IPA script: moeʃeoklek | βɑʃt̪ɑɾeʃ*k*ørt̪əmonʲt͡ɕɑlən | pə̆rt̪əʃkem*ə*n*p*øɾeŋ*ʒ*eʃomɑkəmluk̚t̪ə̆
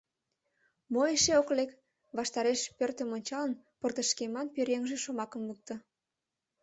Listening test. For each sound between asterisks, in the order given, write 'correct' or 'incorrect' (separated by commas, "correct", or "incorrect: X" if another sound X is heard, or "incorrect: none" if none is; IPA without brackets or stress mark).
incorrect: p, incorrect: ɑ, correct, correct